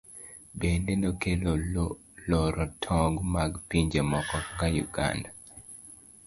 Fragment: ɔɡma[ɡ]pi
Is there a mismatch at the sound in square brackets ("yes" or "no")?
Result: no